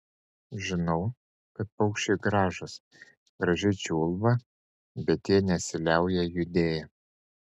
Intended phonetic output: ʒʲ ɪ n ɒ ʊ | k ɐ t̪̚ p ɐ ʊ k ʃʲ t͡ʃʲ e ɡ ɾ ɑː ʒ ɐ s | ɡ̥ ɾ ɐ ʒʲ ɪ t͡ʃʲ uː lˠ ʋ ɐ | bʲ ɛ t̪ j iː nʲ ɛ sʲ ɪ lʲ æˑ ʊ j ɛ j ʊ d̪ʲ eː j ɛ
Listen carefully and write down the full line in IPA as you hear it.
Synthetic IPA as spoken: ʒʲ ɪ n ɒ ʊ | k ɐ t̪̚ p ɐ ʊ k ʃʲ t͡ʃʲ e ɡ ɾ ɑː ʒ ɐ s | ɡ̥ ɾ ɐ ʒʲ ɪ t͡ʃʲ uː lˠ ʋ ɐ | bʲ ɛ t̪ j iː nʲ ɛ sʲ ɪ lʲ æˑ ʊ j ɛ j ʊ d̪ʲ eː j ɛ